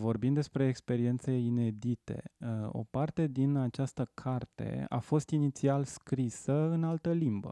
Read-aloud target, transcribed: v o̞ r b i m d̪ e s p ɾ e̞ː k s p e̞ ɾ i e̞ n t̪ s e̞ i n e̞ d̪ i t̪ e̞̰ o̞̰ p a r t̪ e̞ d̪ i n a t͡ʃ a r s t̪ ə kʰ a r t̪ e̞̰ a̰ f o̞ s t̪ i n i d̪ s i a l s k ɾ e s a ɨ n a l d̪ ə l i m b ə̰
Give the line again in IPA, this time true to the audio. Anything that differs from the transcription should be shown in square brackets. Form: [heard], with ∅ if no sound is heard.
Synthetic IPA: v o̞ r b i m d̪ e s p ɾ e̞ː k s p e̞ ɾ i e̞ n t̪ s e̞ i n e̞ d̪ i t̪ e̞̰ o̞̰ p a r t̪ e̞ d̪ i n a t͡ʃ a [∅] s t̪ ə kʰ a r t̪ e̞̰ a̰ f o̞ s t̪ i n i [t̪] s i a l s k ɾ [i] s [ə] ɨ n a l [t̪] ə l i m b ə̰